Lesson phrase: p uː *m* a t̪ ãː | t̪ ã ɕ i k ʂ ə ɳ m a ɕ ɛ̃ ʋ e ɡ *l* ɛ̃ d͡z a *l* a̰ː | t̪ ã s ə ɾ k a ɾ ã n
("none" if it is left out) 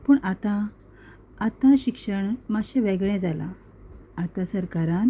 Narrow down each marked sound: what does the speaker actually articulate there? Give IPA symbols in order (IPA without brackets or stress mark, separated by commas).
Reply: ɳ, ɭ, l